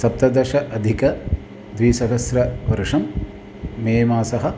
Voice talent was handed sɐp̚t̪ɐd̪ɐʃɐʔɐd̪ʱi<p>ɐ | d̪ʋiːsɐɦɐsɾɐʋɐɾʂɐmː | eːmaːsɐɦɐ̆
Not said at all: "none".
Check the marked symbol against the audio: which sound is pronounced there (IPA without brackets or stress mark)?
k